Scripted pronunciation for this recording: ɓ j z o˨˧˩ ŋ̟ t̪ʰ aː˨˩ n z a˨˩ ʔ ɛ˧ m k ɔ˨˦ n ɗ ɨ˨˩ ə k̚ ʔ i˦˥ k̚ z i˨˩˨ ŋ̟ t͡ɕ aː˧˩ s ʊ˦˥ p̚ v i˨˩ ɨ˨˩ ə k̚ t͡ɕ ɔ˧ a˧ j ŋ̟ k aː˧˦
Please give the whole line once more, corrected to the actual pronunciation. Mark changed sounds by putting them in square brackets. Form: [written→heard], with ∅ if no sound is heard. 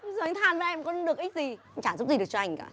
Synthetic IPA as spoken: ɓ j z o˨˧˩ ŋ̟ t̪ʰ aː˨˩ n [z→v] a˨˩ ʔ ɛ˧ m k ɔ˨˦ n ɗ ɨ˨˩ ə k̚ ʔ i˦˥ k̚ z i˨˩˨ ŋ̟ t͡ɕ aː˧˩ [s→z] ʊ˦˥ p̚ [v→z] i˨˩ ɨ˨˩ ə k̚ t͡ɕ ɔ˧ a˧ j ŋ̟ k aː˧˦